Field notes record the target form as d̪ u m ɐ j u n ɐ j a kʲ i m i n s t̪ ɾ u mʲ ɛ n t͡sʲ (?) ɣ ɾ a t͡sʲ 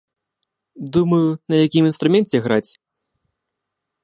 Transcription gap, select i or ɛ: ɛ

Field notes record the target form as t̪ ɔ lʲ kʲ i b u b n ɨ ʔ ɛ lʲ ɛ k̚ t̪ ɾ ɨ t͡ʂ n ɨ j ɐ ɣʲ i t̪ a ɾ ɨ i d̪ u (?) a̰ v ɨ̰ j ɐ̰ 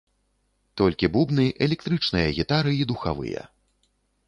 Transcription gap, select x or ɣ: x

